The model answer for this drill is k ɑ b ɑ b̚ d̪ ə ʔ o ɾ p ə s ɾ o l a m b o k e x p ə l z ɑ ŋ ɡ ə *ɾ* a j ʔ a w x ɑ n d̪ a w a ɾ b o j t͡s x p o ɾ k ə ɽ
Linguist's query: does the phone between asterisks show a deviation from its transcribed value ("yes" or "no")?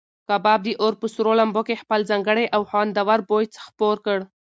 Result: yes